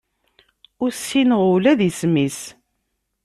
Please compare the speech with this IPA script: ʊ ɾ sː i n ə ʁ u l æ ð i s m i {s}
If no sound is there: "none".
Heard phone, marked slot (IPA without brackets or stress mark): s